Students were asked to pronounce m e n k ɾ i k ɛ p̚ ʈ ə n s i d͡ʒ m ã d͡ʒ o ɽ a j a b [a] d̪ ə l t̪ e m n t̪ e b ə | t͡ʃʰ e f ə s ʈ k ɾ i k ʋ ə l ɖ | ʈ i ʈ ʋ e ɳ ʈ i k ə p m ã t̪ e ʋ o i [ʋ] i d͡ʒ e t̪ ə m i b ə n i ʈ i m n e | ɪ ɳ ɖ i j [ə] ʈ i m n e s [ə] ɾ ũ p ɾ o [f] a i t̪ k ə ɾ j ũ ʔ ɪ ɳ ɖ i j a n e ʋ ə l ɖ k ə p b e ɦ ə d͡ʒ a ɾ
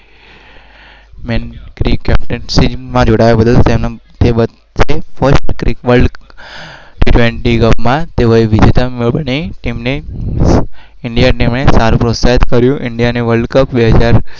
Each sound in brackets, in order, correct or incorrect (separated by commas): incorrect, correct, incorrect, incorrect, incorrect